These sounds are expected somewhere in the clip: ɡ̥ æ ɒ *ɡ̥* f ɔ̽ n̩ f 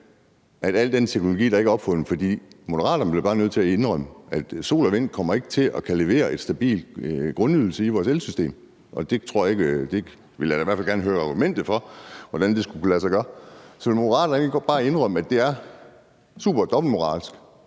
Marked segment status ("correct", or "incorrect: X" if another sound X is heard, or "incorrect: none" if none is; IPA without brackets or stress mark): incorrect: b̥